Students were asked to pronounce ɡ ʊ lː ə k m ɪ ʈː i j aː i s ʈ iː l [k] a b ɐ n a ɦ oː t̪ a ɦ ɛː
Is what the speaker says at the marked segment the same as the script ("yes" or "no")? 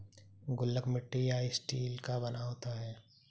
yes